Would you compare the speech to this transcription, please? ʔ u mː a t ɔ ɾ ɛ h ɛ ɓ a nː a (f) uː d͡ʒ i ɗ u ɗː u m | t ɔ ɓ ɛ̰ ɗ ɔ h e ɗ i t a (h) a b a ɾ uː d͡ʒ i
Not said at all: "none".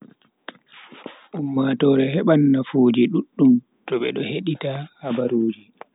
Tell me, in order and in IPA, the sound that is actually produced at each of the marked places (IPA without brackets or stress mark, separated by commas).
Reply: f, h